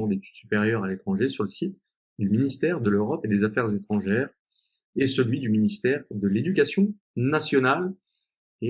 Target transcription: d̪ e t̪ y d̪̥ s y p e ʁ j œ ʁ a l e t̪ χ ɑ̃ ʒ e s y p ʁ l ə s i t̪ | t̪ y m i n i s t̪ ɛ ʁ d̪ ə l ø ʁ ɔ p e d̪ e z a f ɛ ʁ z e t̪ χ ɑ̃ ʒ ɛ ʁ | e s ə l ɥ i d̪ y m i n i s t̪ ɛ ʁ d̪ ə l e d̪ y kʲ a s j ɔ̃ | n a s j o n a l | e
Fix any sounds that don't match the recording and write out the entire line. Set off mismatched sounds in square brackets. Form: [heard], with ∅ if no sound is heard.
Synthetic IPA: d̪ e t̪ y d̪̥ s y p e ʁ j œ ʁ a l e t̪ χ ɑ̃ ʒ e s y [∅] ʁ l ə s i t̪ | [d̪] y m i n i s t̪ ɛ ʁ d̪ ə l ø ʁ ɔ p e d̪ e z a f ɛ ʁ z e t̪ χ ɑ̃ ʒ ɛ ʁ | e s ə l ɥ i d̪ y m i n i s t̪ ɛ ʁ d̪ ə l e d̪ y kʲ a s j ɔ̃ | n a s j [ɔ] n a l | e